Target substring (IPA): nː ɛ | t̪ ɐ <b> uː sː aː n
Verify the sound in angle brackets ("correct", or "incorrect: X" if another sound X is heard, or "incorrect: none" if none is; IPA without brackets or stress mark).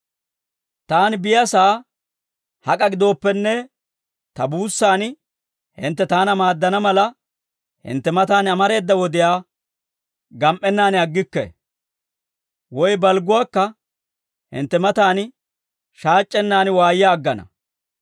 correct